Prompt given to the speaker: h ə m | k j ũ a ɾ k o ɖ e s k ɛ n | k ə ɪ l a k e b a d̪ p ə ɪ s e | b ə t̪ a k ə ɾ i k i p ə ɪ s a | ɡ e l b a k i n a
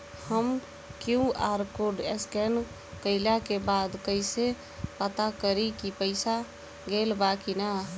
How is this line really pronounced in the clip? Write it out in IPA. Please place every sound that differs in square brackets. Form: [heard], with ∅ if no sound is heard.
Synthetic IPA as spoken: h ə m | k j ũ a ɾ k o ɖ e s k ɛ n | k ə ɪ l a k e b a d̪ [k] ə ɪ s e | [p] ə t̪ a k ə ɾ i k i p ə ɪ s a | ɡ e l b a k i n a